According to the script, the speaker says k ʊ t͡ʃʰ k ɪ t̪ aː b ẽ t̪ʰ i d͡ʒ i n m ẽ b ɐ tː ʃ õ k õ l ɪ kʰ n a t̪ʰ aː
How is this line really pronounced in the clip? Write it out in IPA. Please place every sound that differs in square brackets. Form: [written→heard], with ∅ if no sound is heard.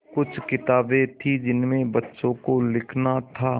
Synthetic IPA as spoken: k ʊ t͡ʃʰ k ɪ t̪ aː b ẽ t̪ʰ i d͡ʒ [i→ɪ] n m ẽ b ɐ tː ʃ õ k [õ→o] l ɪ kʰ n a t̪ʰ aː